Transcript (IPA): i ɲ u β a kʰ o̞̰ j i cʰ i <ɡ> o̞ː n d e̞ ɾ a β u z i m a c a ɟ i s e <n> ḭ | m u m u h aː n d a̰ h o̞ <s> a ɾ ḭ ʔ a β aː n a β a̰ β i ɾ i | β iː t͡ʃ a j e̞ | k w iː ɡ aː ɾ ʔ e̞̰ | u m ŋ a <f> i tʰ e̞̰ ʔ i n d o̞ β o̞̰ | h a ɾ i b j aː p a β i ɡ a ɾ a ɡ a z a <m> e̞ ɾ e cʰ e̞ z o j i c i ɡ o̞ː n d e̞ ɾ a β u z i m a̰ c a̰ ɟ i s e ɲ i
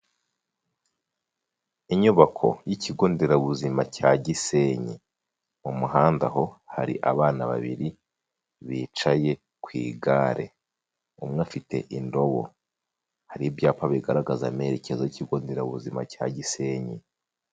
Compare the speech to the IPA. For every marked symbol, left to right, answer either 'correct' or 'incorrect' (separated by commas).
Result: correct, incorrect, incorrect, correct, correct